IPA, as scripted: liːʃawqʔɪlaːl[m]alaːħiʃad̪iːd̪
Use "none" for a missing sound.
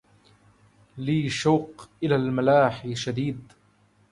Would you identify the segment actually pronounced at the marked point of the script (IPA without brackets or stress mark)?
m